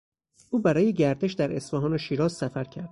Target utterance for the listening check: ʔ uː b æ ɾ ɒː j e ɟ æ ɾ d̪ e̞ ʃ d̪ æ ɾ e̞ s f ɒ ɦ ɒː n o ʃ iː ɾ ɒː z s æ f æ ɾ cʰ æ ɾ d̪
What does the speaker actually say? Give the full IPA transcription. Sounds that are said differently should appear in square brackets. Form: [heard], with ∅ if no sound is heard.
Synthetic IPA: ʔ uː b æ ɾ ɒː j e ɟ æ ɾ d̪ e̞ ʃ d̪ æ ɾ e̞ s f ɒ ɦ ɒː n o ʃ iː ɾ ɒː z s æ f æ ɾ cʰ æ ɾ d̪